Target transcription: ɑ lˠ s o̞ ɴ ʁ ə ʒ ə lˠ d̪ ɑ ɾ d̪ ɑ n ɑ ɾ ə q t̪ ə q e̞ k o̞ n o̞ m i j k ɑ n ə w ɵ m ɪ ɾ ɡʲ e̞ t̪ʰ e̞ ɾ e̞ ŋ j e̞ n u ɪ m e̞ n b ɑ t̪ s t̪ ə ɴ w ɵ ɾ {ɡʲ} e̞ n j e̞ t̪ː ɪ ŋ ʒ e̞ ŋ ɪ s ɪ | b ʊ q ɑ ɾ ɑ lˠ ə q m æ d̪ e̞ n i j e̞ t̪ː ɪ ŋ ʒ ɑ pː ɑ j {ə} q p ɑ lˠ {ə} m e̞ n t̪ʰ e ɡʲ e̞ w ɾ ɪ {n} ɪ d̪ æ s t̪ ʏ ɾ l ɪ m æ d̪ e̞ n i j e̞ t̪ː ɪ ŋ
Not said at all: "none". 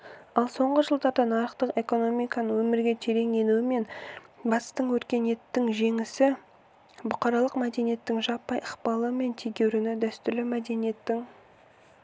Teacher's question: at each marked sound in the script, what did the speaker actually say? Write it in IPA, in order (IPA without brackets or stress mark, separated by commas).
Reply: kʲ, ə, ə, n